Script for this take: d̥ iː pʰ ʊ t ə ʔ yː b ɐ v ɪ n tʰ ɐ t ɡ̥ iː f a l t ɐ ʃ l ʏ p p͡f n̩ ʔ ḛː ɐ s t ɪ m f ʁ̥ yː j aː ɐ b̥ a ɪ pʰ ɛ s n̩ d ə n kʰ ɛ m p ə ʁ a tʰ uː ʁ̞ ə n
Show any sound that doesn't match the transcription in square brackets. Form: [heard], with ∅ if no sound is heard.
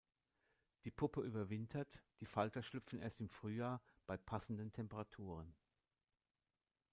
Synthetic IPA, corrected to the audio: d̥ iː pʰ ʊ [p] ə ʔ yː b ɐ v ɪ n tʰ ɐ t [d̥] iː f a l t ɐ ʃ l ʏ p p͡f n̩ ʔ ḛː ɐ s t ɪ m f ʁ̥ yː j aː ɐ b̥ a ɪ pʰ [a] s n̩ d ə n [tʰ] ɛ m p ə ʁ a tʰ uː ʁ̞ ə n